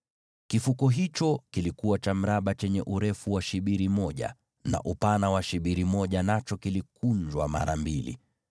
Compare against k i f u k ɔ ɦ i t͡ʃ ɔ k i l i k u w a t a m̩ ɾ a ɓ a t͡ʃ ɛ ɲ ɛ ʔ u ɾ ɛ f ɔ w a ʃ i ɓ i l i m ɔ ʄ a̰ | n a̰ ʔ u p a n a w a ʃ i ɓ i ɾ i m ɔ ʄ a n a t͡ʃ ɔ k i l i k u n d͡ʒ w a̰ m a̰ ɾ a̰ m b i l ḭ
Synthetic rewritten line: k i f u k ɔ ɦ i t͡ʃ ɔ k i l i k u w a t͡ʃ a m̩ ɾ a ɓ a t͡ʃ ɛ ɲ ɛ ʔ u ɾ ɛ f u w a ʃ i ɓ i ɾ i m ɔ ʄ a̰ | n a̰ ʔ u p a n a w a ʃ i ɓ i ɾ i m ɔ ʄ a n a t͡ʃ ɔ k i l i k u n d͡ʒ w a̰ m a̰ ɾ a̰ m b i l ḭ